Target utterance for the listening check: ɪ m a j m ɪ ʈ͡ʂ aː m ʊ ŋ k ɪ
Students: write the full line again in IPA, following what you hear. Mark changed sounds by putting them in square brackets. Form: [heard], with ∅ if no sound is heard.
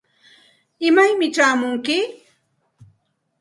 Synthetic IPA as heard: ɪ m a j m ɪ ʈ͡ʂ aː m ʊ ŋ k ɪ